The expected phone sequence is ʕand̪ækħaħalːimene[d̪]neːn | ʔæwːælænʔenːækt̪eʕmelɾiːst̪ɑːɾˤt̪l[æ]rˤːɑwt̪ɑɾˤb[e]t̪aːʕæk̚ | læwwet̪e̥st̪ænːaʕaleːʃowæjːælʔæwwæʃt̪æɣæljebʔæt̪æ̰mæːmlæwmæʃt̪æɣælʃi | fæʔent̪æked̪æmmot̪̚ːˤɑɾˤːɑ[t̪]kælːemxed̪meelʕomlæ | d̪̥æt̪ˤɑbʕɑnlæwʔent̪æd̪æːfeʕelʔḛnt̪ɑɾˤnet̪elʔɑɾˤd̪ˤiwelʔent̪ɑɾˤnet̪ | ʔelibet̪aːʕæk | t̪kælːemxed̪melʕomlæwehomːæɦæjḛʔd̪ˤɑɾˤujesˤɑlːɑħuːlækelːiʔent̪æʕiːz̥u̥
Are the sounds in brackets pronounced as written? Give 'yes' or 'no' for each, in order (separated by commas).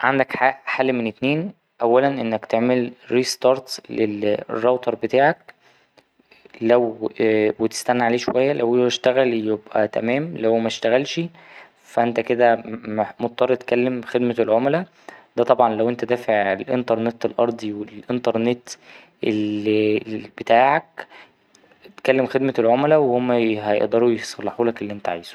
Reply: no, no, yes, yes